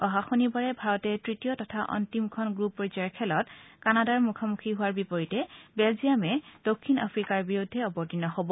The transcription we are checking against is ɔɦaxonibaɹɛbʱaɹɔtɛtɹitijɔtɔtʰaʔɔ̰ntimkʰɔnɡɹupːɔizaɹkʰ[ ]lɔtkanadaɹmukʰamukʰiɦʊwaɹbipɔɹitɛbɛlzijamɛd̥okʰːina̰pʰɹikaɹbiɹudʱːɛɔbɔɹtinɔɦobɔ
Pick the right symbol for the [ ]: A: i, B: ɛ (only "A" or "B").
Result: B